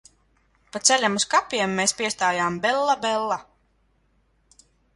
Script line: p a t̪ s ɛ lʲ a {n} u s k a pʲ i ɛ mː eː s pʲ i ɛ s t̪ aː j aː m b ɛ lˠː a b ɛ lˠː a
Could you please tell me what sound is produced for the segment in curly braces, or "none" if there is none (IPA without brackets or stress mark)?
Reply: m